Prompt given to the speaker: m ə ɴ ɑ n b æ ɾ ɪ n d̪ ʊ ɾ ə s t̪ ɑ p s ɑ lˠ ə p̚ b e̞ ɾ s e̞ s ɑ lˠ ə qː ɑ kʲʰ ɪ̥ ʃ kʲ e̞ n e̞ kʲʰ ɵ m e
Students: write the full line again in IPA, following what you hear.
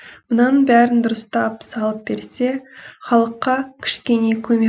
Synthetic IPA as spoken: m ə n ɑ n b æ ɾ ɪ n d̪ ʊ ɾ ə s t̪ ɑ p s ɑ lˠ ə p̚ b e̞ ɾ s e̞ χ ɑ lˠ ə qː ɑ kʲʰ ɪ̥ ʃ kʲ e̞ n e̞ kʲʰ ɵ m e